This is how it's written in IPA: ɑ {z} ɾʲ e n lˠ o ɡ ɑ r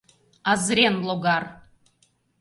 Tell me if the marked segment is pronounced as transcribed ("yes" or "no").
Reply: yes